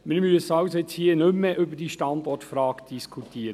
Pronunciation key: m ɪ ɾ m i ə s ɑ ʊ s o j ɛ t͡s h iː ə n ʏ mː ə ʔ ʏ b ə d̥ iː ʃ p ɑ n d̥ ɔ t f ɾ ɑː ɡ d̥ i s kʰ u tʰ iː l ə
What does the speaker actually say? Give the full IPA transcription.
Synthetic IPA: m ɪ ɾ m y ə s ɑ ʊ s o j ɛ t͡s h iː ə n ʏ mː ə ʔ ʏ b ə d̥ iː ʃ t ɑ n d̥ ɔ t f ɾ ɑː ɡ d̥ i s kʰ u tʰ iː ɾ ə